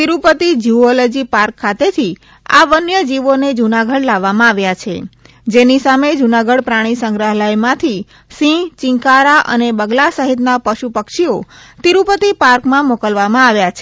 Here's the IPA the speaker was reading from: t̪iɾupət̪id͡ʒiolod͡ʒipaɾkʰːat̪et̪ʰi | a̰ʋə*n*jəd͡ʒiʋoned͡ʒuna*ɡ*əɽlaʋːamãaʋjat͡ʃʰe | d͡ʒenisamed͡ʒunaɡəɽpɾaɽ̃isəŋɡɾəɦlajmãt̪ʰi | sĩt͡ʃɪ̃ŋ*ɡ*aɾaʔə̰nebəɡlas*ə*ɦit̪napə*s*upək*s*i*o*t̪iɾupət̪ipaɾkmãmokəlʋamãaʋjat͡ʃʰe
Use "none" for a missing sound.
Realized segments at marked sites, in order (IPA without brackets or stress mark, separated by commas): n, ɡ, k, ə, ʃ, ʃ, o